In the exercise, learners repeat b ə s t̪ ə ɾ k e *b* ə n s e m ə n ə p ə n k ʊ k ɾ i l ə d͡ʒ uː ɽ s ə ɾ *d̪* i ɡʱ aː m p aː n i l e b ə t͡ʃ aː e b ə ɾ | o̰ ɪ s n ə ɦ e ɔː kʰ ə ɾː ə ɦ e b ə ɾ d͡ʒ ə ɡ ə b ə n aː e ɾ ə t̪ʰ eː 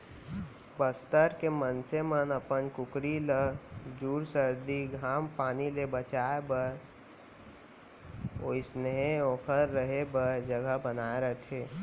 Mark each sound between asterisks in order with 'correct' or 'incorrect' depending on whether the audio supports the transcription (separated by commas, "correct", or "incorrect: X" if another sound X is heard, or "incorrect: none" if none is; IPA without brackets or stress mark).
incorrect: m, correct